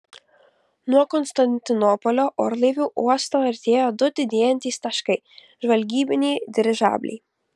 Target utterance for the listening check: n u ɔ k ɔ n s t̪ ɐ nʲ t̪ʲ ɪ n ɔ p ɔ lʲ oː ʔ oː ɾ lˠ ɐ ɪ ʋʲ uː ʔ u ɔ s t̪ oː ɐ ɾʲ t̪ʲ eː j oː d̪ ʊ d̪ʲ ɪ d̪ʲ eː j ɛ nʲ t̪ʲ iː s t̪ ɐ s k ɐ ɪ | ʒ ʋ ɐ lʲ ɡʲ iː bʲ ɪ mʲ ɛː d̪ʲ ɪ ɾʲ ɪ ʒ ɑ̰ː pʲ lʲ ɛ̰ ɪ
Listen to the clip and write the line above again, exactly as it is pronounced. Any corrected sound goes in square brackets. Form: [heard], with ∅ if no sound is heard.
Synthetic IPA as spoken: n u ɔ k ɔ n s t̪ ɐ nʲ t̪ʲ ɪ n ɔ p ɔ lʲ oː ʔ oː ɾ lˠ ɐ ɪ ʋʲ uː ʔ u ɔ s t̪ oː ɐ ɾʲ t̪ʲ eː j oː d̪ ʊ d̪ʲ ɪ d̪ʲ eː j ɛ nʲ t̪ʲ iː s t̪ ɐ [ʃ] k ɐ ɪ | ʒ ʋ ɐ lʲ ɡʲ iː bʲ ɪ [nʲ] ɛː d̪ʲ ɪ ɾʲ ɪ ʒ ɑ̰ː [bʲ] lʲ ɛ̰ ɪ